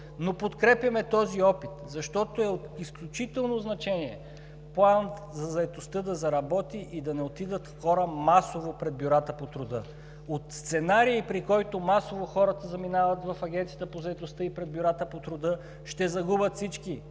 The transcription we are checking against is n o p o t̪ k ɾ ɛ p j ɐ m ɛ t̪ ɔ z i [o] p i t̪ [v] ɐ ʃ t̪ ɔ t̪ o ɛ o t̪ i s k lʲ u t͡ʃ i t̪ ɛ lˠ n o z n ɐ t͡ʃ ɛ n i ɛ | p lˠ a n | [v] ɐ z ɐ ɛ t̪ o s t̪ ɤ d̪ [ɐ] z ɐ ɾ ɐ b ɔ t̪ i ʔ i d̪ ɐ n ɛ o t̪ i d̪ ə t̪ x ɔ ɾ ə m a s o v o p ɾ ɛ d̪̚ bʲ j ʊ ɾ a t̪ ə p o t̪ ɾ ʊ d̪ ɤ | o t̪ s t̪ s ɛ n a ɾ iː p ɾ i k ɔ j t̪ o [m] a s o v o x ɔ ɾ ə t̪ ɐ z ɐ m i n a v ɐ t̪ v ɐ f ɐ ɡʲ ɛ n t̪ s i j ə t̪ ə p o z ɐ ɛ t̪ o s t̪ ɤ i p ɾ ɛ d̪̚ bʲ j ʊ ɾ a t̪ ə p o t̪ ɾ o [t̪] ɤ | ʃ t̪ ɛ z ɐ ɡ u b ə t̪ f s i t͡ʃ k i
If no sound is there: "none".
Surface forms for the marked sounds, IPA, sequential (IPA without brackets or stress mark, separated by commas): ɔ, z, z, ɐ, m, d̪